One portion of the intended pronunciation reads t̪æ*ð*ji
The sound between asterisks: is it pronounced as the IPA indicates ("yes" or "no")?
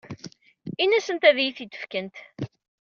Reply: yes